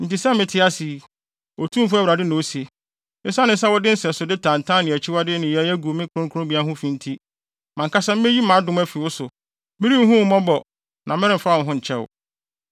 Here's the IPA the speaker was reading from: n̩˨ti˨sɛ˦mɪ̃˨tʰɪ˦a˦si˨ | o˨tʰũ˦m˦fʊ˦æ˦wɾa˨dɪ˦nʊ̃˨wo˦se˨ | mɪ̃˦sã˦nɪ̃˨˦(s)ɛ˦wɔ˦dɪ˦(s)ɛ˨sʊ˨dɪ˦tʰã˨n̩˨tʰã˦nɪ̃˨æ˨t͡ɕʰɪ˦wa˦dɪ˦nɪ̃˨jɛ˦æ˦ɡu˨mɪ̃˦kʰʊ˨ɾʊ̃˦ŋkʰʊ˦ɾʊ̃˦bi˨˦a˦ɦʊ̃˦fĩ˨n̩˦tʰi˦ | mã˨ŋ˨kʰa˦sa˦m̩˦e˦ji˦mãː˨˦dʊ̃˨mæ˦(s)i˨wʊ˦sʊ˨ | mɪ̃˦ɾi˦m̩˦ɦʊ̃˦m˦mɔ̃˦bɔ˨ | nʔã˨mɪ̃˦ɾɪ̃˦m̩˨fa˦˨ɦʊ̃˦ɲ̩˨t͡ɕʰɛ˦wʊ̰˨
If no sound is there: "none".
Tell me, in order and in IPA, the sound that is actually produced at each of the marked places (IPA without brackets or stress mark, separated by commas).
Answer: s, s, f